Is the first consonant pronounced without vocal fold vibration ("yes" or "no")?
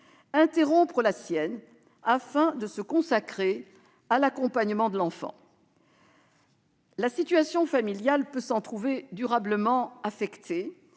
yes